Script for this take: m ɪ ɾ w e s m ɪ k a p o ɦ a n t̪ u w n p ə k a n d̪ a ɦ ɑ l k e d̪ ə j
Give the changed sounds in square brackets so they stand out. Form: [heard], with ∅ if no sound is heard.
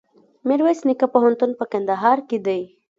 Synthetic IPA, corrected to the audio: m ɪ ɾ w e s [n] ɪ k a p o ɦ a n t̪ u [∅] n p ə k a n d̪ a ɦ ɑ [ɾ] k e d̪ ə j